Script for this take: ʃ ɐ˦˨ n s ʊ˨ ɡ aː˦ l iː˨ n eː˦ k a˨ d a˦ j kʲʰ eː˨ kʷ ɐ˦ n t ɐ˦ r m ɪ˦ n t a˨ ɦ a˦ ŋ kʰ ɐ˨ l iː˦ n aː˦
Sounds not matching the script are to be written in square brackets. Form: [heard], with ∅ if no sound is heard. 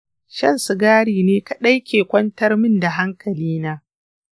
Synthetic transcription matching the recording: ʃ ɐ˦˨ n s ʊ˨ ɡ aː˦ [ɽ] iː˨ n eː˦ k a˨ [ɗ] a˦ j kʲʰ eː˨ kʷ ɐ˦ n t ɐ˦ r m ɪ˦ n [d] a˨ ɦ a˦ ŋ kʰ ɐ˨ l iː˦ n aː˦